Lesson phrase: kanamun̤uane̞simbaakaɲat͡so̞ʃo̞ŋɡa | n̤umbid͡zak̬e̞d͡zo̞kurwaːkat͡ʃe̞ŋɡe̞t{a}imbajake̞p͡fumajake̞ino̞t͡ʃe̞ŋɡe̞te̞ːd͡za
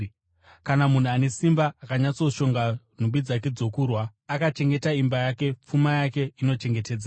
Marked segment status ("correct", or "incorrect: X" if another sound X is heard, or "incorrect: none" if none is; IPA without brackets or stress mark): correct